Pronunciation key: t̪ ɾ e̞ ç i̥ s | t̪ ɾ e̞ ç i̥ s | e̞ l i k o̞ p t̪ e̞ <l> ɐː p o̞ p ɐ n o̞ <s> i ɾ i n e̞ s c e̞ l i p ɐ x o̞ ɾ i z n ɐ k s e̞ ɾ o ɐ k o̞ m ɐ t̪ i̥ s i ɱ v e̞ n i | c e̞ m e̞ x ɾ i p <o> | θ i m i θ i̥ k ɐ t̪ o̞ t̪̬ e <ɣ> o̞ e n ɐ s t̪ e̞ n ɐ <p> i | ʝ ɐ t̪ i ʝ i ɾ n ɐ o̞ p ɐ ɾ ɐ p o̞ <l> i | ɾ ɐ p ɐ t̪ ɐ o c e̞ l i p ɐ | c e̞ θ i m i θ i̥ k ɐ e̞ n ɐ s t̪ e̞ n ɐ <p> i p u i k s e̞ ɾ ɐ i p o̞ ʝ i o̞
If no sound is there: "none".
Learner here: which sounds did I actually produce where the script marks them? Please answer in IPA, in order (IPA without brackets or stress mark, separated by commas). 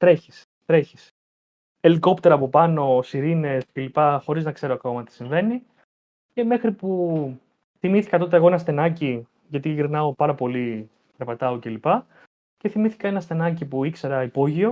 ɾ, s, u, ɣ, c, l, c